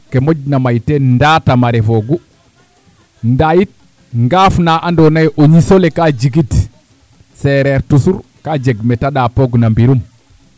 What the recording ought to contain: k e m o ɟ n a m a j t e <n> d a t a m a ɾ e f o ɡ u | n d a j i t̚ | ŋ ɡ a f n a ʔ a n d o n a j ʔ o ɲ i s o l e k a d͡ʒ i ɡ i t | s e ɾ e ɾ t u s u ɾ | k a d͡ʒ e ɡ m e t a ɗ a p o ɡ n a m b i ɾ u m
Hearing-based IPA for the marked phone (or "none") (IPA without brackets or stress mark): n